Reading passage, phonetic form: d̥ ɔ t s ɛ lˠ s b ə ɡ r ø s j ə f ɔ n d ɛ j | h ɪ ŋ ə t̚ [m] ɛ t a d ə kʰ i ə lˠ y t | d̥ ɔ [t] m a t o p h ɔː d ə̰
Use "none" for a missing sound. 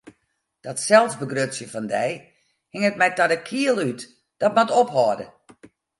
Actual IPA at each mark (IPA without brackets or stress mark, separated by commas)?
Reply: m, t